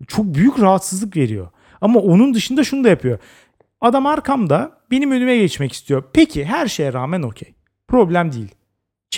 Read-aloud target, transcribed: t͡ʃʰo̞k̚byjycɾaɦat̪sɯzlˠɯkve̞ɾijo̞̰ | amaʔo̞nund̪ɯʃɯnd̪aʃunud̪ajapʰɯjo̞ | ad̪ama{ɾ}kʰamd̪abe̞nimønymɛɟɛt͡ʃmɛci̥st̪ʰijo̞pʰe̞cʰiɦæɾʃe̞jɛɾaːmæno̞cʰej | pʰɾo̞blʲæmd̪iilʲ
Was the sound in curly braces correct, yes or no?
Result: yes